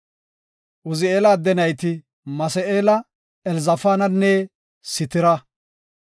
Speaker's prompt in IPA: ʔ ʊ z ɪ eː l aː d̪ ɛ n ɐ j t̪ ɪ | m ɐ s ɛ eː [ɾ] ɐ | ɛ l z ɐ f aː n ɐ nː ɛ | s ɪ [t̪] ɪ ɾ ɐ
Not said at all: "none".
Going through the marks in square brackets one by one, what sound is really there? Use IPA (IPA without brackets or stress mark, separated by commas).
l, t̪